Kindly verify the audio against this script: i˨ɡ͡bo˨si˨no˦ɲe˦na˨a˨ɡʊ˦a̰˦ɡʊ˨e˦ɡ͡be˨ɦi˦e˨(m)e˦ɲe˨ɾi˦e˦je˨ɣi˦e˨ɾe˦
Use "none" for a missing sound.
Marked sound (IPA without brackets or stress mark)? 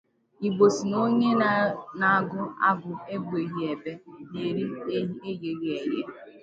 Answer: b